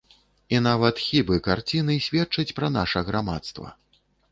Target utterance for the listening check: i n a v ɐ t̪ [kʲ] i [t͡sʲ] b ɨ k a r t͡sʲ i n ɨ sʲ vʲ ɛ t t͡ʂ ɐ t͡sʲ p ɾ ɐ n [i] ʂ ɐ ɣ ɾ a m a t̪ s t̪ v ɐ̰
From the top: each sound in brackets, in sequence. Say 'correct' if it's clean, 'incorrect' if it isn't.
incorrect: xʲ, incorrect: none, incorrect: a

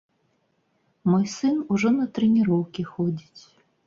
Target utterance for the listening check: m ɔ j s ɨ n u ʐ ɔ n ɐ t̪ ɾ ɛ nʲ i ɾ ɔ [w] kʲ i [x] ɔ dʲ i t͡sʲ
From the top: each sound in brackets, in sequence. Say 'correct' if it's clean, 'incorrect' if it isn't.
correct, correct

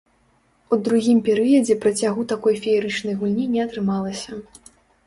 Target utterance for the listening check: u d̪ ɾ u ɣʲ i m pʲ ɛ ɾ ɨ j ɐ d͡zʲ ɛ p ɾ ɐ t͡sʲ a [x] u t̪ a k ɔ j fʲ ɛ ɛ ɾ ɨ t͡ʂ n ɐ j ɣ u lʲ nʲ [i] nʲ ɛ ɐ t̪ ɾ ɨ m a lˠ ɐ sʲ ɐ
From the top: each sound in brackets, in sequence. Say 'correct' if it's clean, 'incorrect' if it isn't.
incorrect: ɣ, correct

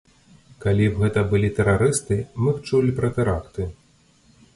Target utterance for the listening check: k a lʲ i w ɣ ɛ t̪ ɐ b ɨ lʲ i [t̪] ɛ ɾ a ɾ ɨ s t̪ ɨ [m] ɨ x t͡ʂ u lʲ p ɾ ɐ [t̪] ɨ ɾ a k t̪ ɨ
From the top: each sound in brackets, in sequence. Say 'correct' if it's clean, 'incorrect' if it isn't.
correct, correct, correct

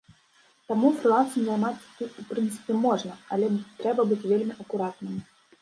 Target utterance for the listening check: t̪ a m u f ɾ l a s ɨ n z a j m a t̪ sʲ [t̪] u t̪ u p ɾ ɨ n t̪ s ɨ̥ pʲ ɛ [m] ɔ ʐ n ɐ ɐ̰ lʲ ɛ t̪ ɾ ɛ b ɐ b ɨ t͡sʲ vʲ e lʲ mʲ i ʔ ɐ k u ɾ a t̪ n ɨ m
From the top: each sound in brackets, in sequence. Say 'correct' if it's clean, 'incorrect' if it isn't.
correct, correct

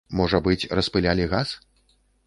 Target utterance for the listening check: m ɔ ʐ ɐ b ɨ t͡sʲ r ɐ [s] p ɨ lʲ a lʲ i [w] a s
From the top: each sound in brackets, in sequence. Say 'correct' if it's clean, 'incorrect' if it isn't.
correct, incorrect: ɣ

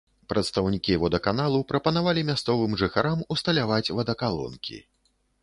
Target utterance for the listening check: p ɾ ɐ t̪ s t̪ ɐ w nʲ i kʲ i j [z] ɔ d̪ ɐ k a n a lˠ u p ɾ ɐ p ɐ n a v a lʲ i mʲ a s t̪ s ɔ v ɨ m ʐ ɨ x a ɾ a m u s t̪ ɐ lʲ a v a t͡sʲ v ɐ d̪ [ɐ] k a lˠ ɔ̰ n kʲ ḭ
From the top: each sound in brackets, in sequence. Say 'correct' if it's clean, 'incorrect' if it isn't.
incorrect: v, correct

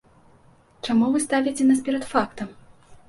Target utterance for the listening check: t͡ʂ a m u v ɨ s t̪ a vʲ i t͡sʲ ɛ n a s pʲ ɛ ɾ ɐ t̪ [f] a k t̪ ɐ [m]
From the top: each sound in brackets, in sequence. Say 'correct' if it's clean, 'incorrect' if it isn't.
correct, correct

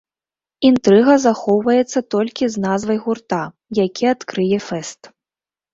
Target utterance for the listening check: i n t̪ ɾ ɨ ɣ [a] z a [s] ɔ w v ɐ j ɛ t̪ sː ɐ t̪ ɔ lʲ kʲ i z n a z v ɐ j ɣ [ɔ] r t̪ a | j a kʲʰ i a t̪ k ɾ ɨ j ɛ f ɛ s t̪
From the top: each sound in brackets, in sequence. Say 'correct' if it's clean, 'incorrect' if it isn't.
incorrect: ɐ, incorrect: x, incorrect: u

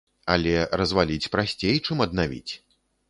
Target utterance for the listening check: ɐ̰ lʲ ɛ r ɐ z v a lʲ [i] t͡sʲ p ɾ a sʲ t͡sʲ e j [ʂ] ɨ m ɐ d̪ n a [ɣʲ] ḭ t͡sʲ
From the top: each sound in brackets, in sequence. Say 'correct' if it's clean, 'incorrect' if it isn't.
correct, incorrect: t͡ʂ, incorrect: vʲ

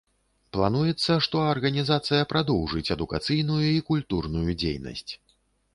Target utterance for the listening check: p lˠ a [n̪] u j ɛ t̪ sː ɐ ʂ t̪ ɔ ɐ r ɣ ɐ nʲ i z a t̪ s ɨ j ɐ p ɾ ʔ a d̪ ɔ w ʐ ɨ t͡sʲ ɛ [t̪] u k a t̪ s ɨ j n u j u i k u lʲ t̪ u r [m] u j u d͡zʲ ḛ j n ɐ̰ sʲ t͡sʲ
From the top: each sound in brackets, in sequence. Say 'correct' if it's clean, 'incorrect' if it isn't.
correct, incorrect: d̪, incorrect: n

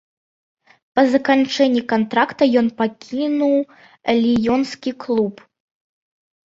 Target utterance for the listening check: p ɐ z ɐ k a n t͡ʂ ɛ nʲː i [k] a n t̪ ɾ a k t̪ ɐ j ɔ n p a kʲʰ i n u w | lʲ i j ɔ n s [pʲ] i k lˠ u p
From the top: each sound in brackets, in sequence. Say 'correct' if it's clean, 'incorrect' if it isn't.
correct, incorrect: kʲ

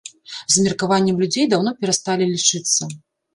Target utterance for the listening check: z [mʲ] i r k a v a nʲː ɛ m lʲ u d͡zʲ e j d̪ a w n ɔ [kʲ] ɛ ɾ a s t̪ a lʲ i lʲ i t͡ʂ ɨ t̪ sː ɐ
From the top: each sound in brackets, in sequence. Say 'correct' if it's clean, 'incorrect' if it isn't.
correct, incorrect: pʲ

